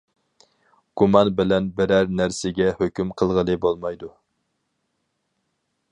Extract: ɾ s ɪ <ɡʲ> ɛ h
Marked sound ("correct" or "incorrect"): correct